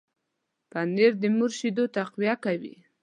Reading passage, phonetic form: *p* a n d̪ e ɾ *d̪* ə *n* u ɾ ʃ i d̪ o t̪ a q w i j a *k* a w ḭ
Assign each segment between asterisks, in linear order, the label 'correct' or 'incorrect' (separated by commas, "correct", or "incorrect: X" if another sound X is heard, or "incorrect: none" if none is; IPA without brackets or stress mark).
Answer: correct, correct, incorrect: m, correct